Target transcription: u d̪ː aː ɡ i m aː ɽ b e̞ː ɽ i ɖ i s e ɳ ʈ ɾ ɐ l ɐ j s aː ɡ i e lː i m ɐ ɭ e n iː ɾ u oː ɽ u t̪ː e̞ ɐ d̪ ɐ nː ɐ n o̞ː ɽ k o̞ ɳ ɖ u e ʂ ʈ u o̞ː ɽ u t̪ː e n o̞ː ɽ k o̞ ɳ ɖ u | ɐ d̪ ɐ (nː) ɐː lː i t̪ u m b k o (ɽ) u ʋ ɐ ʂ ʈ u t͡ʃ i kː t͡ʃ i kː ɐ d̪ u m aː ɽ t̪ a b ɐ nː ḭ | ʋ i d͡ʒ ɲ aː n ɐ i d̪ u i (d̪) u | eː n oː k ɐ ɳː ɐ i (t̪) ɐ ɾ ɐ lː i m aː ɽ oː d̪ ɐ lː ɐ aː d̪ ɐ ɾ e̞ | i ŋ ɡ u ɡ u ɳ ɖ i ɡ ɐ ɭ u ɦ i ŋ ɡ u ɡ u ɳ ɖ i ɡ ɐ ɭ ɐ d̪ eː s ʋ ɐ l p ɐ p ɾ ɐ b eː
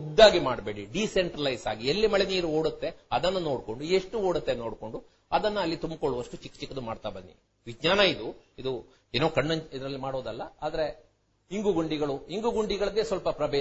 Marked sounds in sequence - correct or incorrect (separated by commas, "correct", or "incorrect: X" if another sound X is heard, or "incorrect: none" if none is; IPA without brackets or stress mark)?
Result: correct, incorrect: ɭ, correct, incorrect: d̪